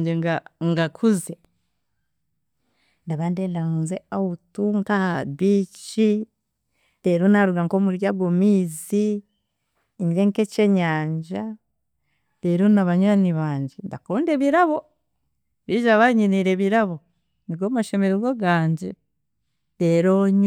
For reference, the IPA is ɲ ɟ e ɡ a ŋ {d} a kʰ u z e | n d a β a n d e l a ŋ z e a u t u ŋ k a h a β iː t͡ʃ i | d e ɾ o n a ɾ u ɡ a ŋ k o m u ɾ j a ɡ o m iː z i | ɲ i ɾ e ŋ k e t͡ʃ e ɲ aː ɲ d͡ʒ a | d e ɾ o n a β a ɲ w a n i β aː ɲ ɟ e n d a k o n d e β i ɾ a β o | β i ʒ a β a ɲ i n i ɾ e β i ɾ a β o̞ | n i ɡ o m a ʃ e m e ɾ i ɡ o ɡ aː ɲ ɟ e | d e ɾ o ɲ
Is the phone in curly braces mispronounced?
yes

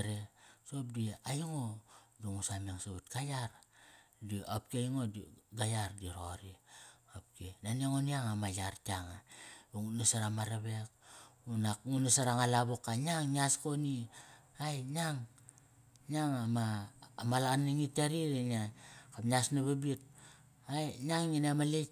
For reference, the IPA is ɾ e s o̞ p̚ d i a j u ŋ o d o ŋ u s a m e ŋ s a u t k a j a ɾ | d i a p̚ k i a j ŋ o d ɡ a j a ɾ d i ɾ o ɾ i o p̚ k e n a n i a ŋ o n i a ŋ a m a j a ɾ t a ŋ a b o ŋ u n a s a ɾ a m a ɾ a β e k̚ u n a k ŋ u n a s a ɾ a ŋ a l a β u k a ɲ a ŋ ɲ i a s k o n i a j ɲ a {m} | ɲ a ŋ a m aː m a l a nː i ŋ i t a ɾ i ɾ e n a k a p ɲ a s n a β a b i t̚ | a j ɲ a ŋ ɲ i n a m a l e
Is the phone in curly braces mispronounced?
yes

